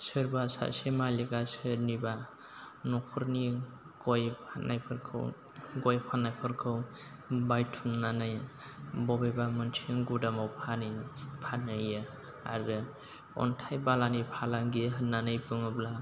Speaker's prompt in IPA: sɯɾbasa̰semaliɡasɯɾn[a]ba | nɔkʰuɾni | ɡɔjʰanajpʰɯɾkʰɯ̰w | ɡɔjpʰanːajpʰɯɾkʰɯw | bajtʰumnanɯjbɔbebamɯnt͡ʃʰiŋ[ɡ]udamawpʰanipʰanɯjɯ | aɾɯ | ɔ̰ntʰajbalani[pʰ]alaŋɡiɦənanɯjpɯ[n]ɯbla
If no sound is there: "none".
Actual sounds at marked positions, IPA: i, ɡ, pʰ, ŋ

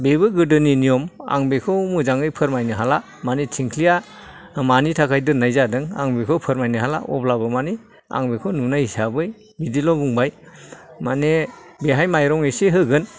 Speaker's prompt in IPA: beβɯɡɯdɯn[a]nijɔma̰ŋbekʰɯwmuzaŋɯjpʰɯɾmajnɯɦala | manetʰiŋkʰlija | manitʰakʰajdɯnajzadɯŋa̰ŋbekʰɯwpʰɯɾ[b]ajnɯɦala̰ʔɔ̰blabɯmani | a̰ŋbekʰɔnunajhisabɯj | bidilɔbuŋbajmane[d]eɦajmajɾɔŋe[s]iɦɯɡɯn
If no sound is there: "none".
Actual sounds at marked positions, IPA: i, m, b, s

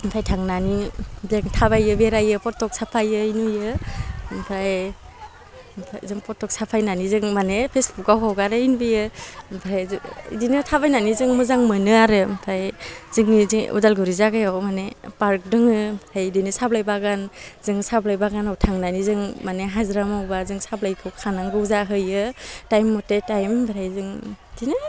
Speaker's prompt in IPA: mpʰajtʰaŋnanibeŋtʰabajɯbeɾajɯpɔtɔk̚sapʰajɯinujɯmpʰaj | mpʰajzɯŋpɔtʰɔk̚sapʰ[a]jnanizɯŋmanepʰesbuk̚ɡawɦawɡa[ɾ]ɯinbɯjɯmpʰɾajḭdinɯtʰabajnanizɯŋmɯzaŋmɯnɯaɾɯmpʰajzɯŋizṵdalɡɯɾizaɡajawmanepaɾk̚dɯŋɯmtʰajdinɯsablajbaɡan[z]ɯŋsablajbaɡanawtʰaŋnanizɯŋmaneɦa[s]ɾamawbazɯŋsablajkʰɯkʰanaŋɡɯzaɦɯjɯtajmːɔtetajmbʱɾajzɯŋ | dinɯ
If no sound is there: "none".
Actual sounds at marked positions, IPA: a, ɾ, z, z

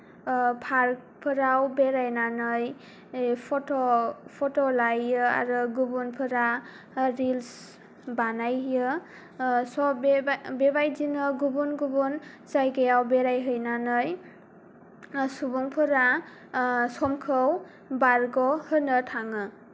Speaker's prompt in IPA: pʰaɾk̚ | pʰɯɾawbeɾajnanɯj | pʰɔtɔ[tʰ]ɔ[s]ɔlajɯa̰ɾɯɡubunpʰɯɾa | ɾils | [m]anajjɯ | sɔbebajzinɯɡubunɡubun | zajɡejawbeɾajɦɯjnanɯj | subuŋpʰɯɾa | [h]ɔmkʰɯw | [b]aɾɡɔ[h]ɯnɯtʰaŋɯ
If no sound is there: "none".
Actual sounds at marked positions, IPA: pʰ, t, b, s, b, h

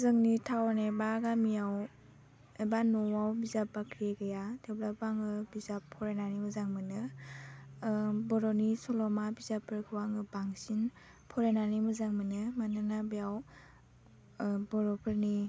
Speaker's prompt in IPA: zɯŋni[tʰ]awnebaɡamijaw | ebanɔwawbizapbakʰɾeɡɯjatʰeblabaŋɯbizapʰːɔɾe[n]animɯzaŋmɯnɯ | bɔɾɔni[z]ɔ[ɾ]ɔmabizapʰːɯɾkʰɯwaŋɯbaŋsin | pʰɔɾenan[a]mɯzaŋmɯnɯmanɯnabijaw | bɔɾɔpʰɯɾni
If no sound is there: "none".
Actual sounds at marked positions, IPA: tʰ, n, s, l, i

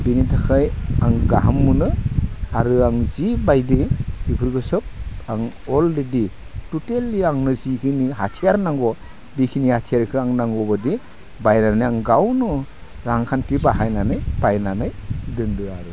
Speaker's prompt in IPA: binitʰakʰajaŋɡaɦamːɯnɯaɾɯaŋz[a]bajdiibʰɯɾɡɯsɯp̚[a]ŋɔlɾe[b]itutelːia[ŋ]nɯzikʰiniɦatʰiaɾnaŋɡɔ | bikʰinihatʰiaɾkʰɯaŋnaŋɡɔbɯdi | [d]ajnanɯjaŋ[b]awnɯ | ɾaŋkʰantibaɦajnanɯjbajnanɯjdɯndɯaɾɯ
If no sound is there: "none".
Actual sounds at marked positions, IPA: i, a, d, ŋ, b, ɡ

